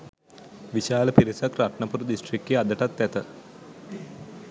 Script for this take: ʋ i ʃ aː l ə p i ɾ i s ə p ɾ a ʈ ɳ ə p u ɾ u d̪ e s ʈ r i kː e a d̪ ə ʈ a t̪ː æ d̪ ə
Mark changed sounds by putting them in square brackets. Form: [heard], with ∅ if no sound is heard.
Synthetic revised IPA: ʋ i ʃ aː l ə p i ɾ i s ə [k] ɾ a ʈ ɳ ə p u ɾ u d̪ [i] s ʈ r i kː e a d̪ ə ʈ a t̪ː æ [t̪] ə